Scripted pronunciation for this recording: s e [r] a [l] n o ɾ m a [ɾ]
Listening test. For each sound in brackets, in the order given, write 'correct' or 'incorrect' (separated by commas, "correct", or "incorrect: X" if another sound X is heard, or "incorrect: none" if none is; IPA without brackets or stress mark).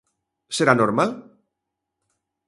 incorrect: ɾ, incorrect: none, incorrect: l